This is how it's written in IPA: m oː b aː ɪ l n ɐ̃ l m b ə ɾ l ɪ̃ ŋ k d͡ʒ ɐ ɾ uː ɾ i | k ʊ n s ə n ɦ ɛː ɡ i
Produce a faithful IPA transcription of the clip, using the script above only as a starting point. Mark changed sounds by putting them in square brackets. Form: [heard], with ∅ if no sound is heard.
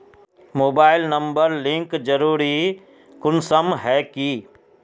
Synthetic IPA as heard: m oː b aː ɪ l n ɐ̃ [∅] m b ə ɾ l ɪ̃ ŋ k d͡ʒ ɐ ɾ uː ɾ i | k ʊ n s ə [m] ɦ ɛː [k] i